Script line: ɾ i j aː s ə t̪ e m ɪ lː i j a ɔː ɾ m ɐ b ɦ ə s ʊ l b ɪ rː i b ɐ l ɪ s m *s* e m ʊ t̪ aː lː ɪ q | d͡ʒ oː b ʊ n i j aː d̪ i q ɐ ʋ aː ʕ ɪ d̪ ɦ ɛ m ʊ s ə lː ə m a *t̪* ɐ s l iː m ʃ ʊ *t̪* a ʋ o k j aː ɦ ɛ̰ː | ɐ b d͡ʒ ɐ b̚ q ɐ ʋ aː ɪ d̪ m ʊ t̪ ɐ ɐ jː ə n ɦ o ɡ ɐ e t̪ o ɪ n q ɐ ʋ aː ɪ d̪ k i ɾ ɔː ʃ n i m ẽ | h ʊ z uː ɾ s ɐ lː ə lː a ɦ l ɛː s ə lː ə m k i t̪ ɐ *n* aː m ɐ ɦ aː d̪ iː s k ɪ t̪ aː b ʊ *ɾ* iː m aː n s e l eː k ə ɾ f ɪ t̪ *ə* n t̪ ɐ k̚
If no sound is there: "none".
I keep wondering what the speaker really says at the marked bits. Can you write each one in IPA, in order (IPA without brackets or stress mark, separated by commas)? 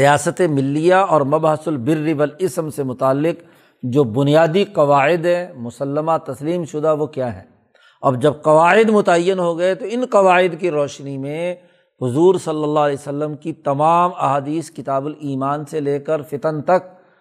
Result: s, t̪, d̪, m, l, ə